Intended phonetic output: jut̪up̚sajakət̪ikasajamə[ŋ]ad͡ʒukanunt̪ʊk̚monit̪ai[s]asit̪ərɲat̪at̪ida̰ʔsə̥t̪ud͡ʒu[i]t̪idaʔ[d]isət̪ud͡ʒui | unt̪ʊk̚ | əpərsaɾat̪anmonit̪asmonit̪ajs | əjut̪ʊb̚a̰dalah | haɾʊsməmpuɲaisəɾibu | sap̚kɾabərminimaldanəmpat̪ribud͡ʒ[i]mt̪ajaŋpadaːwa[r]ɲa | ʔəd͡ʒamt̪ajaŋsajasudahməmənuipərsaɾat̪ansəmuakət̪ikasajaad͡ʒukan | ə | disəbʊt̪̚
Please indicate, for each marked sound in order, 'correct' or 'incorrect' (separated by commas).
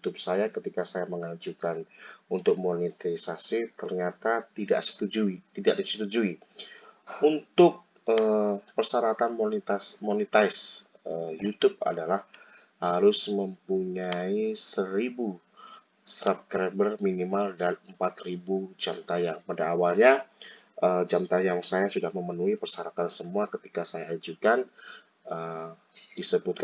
correct, correct, correct, correct, incorrect, incorrect